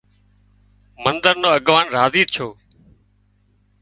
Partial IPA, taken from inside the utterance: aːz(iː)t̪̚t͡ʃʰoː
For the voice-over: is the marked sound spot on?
yes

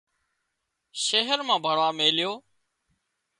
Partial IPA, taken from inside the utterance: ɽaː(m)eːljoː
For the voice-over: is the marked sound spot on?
yes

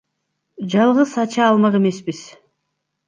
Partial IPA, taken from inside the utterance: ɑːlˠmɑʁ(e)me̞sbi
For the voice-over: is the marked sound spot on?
yes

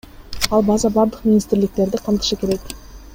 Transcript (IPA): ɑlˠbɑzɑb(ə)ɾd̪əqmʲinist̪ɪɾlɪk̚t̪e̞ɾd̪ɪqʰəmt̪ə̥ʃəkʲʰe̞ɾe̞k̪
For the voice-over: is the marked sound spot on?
no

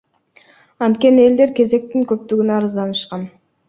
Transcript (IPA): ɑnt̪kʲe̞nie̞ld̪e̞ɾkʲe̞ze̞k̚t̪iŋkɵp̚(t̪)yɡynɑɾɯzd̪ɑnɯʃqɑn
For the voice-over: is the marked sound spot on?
yes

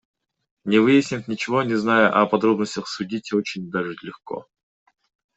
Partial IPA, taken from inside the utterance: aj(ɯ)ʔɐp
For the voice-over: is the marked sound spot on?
no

